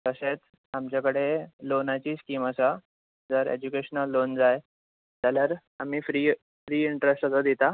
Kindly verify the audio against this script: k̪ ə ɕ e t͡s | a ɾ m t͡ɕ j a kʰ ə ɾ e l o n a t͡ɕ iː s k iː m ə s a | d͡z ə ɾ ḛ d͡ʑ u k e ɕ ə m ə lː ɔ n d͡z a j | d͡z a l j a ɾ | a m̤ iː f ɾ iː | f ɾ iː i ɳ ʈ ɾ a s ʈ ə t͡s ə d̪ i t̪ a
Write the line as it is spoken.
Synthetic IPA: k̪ ə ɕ e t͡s | a m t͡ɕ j a k ə ɽ e l o n a t͡ɕ iː s k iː m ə s a | d͡z ə ɾ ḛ d͡ʑ u k e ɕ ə n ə lː o n d͡z a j | d͡z a l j a ɾ | a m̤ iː f ɾ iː | f ɾ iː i ɳ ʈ ɾ e s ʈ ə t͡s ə d̪ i t̪ a